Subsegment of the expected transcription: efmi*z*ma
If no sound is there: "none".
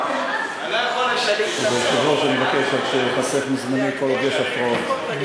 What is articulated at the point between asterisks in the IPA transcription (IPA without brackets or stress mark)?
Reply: z